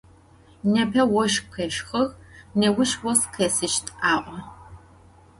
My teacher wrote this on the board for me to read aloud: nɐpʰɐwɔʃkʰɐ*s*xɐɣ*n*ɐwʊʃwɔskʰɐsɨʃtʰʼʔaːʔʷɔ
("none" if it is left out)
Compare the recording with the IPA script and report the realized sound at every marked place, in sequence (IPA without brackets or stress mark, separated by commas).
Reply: ʃ, n